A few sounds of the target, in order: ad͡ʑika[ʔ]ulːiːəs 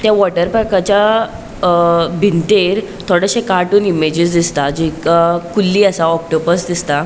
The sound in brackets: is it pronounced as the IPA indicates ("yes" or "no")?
no